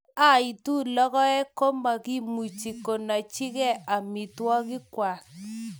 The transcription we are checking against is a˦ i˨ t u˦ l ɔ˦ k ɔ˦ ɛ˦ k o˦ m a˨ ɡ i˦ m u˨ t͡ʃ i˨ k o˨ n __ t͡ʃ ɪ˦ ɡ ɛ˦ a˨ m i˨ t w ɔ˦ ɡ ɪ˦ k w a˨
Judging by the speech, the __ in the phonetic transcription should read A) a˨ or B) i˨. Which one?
A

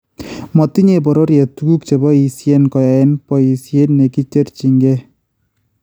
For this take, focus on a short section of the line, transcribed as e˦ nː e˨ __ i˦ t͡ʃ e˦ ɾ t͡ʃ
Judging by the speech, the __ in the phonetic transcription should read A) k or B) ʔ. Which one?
A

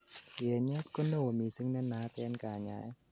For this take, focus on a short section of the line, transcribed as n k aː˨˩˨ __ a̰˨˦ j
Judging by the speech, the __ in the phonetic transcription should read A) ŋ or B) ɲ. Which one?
B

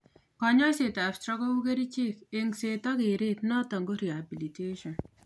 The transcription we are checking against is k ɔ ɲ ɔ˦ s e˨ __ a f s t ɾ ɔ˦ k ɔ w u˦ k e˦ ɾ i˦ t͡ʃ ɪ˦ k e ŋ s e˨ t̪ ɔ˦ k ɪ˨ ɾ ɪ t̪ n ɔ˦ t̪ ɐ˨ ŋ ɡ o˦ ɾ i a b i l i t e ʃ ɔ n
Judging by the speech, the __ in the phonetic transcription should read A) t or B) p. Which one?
A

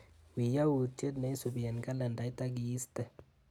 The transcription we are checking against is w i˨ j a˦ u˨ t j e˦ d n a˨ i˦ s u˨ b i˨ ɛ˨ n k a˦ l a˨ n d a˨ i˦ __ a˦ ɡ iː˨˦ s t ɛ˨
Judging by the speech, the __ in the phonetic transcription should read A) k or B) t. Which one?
B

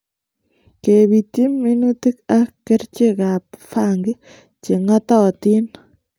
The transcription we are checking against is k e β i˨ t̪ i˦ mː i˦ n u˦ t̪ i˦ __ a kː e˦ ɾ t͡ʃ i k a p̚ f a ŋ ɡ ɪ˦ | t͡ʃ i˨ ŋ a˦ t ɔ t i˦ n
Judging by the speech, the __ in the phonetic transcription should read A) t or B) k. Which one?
B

